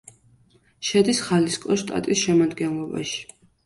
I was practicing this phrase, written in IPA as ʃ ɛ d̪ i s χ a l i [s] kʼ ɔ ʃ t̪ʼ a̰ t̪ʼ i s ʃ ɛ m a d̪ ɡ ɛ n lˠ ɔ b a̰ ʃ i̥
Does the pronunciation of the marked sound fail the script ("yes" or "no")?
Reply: no